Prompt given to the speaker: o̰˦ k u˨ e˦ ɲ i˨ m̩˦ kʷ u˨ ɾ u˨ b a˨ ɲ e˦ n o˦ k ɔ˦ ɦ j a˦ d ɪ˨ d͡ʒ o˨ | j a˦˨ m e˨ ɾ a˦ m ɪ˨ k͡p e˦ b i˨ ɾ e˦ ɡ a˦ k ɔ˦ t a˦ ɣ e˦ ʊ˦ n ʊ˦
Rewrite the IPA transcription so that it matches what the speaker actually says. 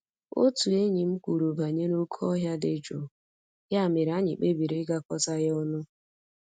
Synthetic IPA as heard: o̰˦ t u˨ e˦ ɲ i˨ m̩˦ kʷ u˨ ɾ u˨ b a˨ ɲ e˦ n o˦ kʰ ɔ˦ ɦ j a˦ d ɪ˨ d͡ʒ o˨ | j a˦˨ m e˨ ɾ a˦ ɲ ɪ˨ k͡p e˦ b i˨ ɾ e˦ ɡ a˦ k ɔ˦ t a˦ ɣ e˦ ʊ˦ n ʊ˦

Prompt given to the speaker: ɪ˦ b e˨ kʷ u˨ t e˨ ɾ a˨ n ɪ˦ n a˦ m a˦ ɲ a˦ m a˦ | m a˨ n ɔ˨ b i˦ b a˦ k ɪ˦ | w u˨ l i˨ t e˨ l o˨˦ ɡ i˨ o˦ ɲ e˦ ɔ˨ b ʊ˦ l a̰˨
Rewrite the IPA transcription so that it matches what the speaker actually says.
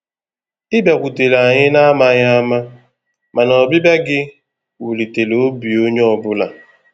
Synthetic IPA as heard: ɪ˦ b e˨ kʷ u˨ t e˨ l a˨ ɲ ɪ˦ n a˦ m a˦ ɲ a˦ m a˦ | m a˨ n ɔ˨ b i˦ b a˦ ɡ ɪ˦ | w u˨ l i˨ t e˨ l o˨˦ b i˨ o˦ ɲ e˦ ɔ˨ b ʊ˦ l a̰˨

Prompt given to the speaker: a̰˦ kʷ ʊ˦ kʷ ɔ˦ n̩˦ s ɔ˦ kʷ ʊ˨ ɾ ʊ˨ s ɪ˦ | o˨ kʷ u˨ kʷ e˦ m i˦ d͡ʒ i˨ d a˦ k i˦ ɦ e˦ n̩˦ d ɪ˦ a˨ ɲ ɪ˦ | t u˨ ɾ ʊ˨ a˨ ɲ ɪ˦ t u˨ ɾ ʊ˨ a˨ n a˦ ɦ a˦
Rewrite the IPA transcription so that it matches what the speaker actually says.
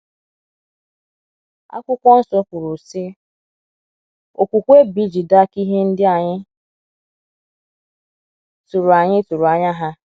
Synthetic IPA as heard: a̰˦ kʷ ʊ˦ kʷ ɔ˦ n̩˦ s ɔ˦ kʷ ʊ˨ ɾ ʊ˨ s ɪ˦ | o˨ kʷ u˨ kʷ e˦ b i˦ d͡ʒ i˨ d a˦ k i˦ ɦ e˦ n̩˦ d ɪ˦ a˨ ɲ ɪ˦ | t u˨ ɾ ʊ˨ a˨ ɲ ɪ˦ t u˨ ɾ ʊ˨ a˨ ɲ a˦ ɦ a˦

